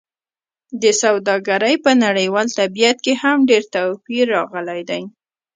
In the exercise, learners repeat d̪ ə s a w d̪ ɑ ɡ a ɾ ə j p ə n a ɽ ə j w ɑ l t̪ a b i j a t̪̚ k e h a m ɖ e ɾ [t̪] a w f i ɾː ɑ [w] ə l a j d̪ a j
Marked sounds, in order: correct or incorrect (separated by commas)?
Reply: correct, incorrect